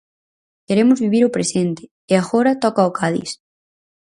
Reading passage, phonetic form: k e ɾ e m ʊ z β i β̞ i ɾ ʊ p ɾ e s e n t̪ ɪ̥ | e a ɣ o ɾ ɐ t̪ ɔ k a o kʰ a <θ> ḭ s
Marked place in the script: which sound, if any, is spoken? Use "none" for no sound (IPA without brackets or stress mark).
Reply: ð